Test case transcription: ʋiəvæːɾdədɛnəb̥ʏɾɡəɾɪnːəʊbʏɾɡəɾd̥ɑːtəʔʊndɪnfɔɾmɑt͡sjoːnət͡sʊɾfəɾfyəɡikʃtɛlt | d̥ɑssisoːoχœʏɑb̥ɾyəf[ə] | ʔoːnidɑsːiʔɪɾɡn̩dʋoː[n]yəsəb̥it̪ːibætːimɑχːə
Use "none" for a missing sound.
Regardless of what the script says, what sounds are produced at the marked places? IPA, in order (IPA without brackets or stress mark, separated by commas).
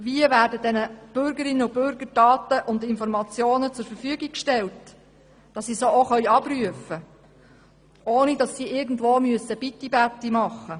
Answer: ə, m